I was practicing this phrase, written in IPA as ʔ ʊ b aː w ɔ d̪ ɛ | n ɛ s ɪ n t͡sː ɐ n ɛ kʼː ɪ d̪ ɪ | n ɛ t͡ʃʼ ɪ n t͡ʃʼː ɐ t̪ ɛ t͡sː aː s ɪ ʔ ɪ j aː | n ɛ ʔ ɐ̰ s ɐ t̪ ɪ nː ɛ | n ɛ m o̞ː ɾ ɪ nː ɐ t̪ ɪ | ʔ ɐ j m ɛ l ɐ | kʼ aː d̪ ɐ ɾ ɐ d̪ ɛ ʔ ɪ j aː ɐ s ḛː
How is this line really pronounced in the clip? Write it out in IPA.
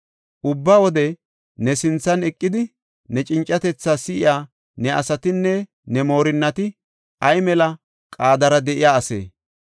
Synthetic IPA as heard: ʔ ʊ bː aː w ɔ d̪ ɛ | n ɛ s ɪ n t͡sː ɐ n ɛ kʼː ɪ d̪ ɪ | n ɛ t͡ʃʼ ɪ n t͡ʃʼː ɐ t̪ ɛ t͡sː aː s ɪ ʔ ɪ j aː | n ɛ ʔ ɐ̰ s ɐ t̪ ɪ nː ɛ | n ɛ m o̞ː ɾ ɪ nː ɐ t̪ ɪ | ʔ ɐ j m ɛ l ɐ | kʼ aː d̪ ɐ ɾ ɐ d̪ ɛ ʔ ɪ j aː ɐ s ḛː

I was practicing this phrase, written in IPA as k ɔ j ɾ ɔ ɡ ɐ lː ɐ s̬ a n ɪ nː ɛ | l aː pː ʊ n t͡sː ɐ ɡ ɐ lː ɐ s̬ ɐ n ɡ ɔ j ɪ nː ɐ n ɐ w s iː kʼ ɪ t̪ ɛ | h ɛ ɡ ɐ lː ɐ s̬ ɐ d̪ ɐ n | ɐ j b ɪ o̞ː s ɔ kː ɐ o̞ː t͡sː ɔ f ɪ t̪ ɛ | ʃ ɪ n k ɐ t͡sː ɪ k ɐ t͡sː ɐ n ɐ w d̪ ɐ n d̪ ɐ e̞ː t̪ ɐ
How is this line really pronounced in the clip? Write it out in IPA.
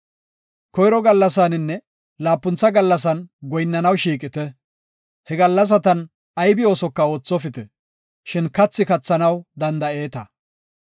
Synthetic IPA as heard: k ɔ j ɾ ɔ ɡ ɐ lː ɐ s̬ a n ɪ nː ɛ | l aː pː ʊ n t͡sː ɐ ɡ ɐ lː ɐ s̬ ɐ n ɡ ɔ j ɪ nː ɐ n ɐ w ʃ iː kʼ ɪ t̪ ɛ | h ɛ ɡ ɐ lː ɐ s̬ ɐ t̪ ɐ n | ɐ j b ɪ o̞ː s ɔ kː ɐ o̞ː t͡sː ɔ f ɪ t̪ ɛ | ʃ ɪ n k ɐ t͡sː ɪ k ɐ t͡sː ɐ n ɐ w d̪ ɐ n d̪ ɐ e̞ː t̪ ɐ

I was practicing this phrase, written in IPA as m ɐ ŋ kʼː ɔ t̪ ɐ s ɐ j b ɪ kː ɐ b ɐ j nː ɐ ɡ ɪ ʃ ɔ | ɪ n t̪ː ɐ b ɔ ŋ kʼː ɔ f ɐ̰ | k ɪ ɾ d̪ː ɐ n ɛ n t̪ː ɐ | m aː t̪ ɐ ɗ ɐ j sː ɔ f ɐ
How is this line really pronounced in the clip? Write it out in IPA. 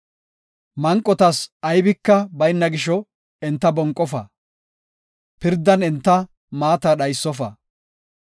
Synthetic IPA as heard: m ɐ ŋ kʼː ɔ t̪ ɐ s ɐ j b ɪ kː ɐ b ɐ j nː ɐ ɡ ɪ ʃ ɔ | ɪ n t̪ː ɐ b ɔ ŋ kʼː ɔ f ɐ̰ | p ɪ ɾ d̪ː ɐ n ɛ n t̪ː ɐ | m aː t̪ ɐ ɗ ɐ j sː ɔ f ɐ

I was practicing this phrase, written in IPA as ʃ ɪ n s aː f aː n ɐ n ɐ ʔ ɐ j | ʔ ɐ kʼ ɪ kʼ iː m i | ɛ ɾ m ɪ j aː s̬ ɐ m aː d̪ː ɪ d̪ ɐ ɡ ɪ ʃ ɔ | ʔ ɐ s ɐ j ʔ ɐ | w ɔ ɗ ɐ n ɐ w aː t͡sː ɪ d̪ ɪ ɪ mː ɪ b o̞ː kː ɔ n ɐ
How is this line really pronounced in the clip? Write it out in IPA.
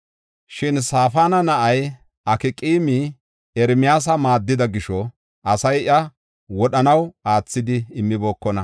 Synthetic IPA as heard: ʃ ɪ n s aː f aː n ɐ n ɐ ʔ ɐ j | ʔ ɐ k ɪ kʼ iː m i | ɛ ɾ m ɪ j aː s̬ ɐ m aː d̪ː ɪ d̪ ɐ ɡ ɪ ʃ ɔ | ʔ ɐ s ɐ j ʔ ɐ | w ɔ ɗ ɐ n ɐ w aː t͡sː ɪ d̪ ɪ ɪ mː ɪ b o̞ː kː ɔ n ɐ

